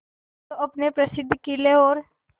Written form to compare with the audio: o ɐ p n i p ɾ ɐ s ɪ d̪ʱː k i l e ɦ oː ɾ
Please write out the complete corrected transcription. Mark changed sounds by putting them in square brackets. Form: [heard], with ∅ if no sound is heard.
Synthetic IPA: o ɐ p n [e] p ɾ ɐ s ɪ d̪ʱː k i l e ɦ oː ɾ